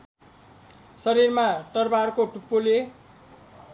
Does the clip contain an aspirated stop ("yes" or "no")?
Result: no